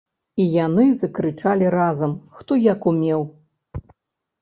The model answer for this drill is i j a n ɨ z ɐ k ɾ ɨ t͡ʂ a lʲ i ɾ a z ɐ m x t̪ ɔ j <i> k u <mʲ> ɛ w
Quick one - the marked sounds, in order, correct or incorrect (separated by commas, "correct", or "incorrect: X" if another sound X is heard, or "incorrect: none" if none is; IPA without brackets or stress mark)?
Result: incorrect: a, correct